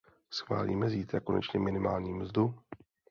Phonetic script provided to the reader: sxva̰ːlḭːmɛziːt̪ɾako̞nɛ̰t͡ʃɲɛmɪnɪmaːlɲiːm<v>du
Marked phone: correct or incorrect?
incorrect